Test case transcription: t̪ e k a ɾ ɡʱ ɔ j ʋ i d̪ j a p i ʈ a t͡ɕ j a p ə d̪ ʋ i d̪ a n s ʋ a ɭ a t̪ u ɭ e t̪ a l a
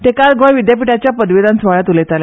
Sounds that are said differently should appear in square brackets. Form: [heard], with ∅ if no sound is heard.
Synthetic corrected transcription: t̪ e k a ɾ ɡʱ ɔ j ʋ i d̪ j a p i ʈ a t͡ɕ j a p ə d̪ ʋ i d̪ a n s ʋ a ɭ a t̪ u [l] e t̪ a l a